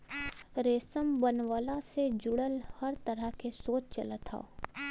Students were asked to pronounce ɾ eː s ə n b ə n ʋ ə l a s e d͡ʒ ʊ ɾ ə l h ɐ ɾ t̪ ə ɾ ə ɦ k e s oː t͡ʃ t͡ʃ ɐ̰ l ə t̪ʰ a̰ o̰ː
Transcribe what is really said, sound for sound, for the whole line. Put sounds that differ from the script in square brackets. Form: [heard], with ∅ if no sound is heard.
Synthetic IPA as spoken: ɾ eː s ə [m] b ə n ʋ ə l a s e d͡ʒ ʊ [ɽ] ə l h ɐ ɾ t̪ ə ɾ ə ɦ k e s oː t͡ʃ t͡ʃ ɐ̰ l ə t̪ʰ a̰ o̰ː